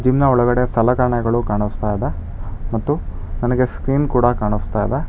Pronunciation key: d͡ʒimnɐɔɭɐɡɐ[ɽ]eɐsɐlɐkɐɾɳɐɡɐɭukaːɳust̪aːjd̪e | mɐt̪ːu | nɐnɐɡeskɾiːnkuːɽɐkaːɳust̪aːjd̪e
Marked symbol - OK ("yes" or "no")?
yes